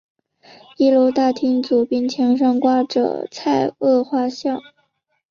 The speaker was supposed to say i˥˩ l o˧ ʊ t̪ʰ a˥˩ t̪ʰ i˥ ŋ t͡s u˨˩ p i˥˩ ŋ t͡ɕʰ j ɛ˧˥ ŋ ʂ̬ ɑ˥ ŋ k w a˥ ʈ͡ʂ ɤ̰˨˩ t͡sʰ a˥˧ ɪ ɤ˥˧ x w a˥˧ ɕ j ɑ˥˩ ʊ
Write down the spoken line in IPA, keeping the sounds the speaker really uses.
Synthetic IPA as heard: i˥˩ l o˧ ʊ t̪ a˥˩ t̪ʰ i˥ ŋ t͡s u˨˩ p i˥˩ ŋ t͡ɕʰ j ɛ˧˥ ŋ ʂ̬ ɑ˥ ŋ k w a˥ ʈ͡ʂ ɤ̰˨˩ t͡sʰ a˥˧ ɪ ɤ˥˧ x w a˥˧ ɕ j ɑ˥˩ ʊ